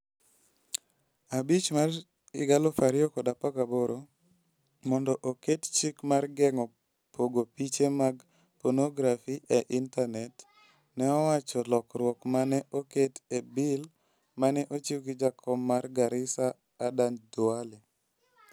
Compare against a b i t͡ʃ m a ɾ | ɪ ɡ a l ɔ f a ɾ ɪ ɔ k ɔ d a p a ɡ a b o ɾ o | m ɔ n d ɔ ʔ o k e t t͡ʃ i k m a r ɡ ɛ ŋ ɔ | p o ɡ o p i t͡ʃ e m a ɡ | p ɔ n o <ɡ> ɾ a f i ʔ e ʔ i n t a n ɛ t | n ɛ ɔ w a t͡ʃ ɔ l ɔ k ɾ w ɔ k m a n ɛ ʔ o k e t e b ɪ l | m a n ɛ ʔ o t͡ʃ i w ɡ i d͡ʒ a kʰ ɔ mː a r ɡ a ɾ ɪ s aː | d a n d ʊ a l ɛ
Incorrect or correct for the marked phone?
correct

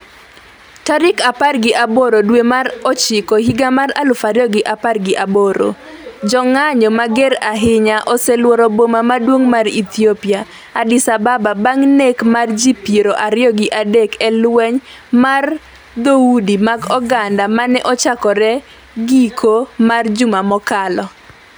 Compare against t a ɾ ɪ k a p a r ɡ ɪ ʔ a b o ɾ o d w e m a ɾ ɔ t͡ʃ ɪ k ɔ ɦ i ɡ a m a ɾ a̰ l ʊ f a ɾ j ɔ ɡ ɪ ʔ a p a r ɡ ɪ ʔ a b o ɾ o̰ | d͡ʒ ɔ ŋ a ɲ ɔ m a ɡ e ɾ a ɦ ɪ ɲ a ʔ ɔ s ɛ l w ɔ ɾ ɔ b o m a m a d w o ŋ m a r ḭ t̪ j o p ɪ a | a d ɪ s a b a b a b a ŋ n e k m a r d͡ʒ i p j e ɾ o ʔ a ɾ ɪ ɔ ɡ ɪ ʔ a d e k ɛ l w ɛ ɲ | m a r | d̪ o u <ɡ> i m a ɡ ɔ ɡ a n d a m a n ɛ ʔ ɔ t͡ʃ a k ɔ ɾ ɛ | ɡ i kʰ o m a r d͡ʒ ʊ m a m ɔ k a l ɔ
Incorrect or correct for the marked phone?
incorrect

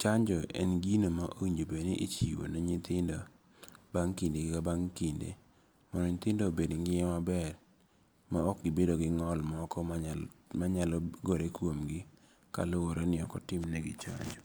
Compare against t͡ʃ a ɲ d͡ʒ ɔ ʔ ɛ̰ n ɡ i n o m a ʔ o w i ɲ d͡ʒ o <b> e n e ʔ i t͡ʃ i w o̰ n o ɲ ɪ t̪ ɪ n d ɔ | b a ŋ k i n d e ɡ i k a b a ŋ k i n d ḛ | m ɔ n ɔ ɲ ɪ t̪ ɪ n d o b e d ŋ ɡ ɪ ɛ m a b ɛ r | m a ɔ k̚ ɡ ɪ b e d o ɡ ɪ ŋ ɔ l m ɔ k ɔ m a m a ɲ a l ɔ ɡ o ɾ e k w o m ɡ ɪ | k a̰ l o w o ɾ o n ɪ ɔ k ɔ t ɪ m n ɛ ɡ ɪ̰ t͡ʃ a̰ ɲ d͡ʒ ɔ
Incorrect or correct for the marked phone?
correct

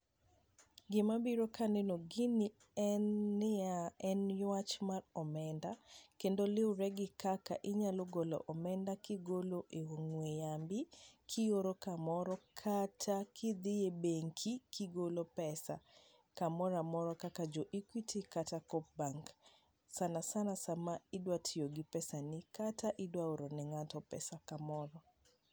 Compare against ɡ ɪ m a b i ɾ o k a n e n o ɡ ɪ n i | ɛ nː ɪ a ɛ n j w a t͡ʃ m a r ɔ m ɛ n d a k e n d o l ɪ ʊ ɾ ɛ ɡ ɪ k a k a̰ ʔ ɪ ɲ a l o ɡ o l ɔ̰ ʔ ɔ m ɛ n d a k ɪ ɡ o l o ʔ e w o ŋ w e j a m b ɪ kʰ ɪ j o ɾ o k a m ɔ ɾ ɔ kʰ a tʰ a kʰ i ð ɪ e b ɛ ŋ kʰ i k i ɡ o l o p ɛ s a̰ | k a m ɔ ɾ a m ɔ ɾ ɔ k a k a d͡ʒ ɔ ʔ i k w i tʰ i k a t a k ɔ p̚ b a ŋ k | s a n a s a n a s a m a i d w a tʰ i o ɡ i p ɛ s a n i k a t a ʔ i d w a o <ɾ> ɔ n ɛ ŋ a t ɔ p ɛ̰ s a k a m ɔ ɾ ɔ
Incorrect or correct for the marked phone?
correct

